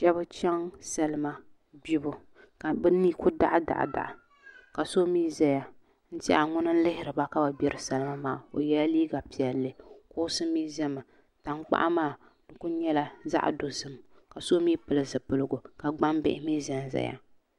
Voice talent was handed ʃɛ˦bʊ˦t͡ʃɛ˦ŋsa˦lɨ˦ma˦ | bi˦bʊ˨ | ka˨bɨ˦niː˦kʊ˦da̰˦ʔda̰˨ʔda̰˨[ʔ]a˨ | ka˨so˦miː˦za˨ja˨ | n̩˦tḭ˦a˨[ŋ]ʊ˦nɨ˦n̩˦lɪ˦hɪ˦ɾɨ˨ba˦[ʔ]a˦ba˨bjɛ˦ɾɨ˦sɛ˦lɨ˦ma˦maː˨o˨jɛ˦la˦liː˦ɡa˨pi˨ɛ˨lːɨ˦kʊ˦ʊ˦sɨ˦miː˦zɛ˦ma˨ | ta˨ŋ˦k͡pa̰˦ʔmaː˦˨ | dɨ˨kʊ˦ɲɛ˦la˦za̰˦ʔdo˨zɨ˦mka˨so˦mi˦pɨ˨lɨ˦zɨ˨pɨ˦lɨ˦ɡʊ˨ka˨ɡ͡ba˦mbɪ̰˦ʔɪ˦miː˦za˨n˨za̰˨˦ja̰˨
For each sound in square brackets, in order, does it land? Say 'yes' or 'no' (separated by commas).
yes, yes, no